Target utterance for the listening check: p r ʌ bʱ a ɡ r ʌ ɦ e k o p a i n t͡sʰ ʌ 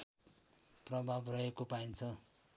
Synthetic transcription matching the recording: p r ʌ bʱ a b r ʌ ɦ e k o p a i n t͡sʰ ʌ